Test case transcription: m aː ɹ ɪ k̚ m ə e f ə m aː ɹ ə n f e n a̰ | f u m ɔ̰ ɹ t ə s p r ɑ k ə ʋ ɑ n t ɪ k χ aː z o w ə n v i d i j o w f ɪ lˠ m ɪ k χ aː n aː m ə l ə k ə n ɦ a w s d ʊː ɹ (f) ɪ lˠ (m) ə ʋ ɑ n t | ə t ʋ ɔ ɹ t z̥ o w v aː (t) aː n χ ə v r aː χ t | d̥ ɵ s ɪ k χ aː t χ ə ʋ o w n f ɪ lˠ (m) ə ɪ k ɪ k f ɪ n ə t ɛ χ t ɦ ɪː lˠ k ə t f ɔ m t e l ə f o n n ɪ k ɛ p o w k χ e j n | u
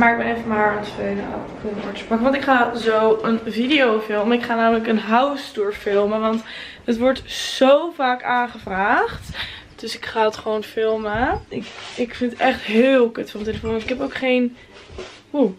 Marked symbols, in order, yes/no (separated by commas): yes, yes, no, yes